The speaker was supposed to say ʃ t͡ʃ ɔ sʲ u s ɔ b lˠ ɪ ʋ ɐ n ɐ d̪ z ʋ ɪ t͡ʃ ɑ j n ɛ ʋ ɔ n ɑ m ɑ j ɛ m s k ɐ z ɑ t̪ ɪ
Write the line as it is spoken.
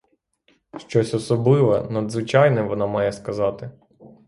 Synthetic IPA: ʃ t͡ʃ ɔ sʲ ɔ s ɔ b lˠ ɪ ʋ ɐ n ɐ d̪ z ʋ ɪ t͡ʃ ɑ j n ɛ ʋ ɔ n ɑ m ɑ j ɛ s k ɐ z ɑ t̪ ɪ